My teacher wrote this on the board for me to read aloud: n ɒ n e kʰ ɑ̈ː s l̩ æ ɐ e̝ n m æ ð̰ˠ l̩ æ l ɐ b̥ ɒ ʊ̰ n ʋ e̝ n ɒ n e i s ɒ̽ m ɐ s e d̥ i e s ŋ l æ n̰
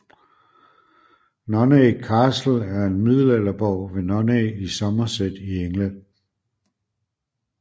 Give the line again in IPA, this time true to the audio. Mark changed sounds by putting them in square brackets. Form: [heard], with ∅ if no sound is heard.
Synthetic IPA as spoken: n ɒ n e kʰ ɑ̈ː s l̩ æ ɐ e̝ n m [i] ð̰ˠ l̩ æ l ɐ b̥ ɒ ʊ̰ [∅] ʋ e̝ n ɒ n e i s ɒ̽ m ɐ s e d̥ i e [∅] ŋ l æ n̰